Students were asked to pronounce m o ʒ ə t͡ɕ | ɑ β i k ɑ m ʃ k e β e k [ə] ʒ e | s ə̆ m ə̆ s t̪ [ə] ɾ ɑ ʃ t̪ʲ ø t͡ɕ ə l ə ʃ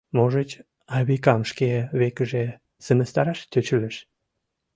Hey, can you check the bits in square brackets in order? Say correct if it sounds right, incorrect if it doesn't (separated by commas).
correct, incorrect